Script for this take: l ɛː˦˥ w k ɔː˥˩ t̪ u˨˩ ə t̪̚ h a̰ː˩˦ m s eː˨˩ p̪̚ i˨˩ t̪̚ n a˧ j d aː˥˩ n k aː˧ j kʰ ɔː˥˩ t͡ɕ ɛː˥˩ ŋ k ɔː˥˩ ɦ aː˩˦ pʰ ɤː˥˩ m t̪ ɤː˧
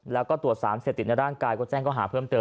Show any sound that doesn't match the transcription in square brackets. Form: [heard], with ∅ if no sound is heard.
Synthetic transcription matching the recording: l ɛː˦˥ w k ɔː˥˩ t̪ u˨˩ ə t̪̚ [s] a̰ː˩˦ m s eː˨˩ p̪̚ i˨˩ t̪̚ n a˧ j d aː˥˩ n k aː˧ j [k] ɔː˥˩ t͡ɕ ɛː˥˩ ŋ k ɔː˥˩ ɦ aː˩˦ pʰ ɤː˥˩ m t̪ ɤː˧

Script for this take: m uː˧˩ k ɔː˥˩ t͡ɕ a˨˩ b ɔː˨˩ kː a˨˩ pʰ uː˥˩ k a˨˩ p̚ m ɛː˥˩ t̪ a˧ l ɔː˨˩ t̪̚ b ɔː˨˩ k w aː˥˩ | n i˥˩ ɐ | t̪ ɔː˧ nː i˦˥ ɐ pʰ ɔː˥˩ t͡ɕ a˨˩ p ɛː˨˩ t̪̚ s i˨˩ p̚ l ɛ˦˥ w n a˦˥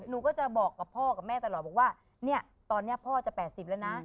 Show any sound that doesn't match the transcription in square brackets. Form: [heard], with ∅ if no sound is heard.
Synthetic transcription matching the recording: [n] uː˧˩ k ɔː˥˩ t͡ɕ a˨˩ b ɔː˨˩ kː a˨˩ pʰ [ɔː˥˩] k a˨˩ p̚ m ɛː˥˩ t̪ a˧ l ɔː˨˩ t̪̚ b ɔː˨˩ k w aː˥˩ | n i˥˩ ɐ | t̪ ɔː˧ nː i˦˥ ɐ pʰ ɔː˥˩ t͡ɕ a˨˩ p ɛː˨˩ t̪̚ s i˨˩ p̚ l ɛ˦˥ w n a˦˥

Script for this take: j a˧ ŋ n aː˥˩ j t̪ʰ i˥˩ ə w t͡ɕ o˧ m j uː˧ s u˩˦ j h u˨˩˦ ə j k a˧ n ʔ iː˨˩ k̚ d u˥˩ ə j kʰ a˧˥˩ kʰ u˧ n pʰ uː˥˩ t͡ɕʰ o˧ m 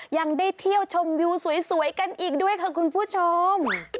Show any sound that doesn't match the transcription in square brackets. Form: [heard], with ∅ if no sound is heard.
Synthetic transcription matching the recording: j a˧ ŋ [d] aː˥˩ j t̪ʰ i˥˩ ə w [t͡ɕʰ] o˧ m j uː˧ s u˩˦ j [s] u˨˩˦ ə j k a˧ n ʔ iː˨˩ k̚ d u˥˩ ə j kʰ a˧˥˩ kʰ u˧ n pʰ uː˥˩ t͡ɕʰ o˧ m

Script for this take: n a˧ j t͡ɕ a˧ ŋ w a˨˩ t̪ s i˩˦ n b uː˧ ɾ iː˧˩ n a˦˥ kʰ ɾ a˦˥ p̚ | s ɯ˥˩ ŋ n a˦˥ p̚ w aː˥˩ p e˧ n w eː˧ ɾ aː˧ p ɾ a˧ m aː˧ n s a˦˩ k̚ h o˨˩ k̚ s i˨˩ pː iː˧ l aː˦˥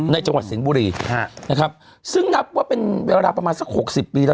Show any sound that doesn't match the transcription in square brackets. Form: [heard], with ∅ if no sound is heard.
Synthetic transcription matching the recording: n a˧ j t͡ɕ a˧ ŋ w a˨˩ t̪ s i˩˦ n b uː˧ ɾ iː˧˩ n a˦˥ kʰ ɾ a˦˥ p̚ | s ɯ˥˩ ŋ n a˦˥ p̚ w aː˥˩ p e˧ n w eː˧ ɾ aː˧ p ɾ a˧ m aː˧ n s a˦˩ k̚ h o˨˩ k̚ s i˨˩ pː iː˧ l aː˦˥

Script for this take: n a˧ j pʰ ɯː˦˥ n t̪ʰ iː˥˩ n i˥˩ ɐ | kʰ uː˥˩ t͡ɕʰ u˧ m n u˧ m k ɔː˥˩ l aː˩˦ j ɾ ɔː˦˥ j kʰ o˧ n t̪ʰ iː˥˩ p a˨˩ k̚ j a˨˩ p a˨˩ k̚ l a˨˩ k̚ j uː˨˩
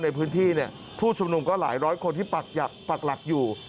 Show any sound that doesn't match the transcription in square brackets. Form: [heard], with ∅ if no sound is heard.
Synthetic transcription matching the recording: n a˧ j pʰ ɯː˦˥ n t̪ʰ iː˥˩ n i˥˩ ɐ | [pʰ] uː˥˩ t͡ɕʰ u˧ m n u˧ m k ɔː˥˩ l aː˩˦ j ɾ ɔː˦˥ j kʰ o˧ n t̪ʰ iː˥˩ p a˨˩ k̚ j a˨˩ p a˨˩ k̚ l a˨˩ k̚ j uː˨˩

